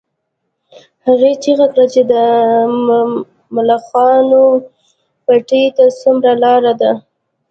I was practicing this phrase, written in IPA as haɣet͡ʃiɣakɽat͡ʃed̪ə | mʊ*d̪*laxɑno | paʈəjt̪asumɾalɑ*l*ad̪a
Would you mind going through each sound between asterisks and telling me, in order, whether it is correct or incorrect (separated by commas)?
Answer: incorrect, incorrect